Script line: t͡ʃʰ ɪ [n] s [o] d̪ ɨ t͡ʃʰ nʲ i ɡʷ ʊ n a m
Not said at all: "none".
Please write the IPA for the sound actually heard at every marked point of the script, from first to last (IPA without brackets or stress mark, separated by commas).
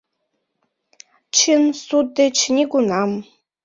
n, u